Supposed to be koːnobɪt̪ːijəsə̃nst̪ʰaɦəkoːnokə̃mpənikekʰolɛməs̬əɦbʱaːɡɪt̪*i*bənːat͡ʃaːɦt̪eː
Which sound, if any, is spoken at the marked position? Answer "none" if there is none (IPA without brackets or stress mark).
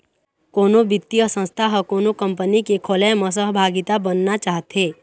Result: a